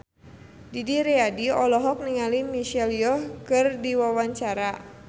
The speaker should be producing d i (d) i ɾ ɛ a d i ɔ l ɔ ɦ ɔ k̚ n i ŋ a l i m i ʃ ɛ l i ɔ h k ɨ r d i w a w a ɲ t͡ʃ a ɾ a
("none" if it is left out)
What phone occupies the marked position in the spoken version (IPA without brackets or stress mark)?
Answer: d